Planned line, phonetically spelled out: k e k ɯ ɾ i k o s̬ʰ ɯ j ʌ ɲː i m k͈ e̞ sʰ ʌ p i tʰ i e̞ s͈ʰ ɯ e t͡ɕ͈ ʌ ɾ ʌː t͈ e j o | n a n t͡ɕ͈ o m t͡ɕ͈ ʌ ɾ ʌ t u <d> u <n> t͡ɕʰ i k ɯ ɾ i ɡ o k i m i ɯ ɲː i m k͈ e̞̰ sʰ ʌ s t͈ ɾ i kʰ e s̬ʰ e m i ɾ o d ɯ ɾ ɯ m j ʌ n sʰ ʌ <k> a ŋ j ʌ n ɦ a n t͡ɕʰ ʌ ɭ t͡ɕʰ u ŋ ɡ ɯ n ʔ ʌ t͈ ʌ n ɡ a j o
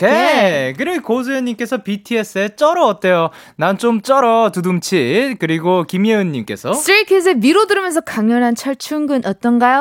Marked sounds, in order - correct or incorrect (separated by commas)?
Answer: correct, incorrect, correct